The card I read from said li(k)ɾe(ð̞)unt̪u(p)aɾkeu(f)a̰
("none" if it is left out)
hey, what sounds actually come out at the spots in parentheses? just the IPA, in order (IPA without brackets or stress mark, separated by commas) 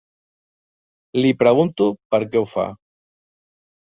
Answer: p, ɣ̞, p, f